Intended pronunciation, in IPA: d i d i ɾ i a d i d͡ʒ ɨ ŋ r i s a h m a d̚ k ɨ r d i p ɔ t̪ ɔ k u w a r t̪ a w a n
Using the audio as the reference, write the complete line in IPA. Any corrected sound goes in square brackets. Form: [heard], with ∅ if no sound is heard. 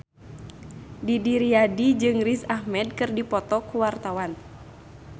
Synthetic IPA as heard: d i d i ɾ i a d i d͡ʒ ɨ ŋ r i s a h m [ɛ] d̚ k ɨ r d i p ɔ t̪ ɔ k u w a r t̪ a w a n